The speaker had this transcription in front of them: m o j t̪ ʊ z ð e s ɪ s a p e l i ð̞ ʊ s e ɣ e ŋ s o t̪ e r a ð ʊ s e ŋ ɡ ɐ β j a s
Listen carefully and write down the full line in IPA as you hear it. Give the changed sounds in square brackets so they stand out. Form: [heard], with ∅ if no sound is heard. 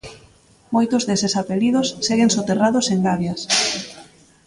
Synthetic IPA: m o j t̪ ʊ z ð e s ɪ s a p e l i ð̞ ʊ [sː] e ɣ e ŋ s o t̪ e r a ð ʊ s e ŋ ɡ [a] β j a s